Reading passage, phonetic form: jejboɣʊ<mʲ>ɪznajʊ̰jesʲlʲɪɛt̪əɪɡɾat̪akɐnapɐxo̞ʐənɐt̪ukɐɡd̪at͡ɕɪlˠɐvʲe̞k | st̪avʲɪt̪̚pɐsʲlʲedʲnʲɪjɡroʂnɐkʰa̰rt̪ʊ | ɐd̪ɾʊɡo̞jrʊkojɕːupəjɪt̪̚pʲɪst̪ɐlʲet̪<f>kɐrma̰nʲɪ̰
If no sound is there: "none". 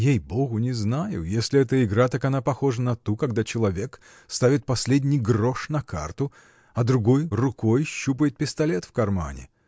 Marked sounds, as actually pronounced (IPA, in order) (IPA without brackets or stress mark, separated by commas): nʲ, f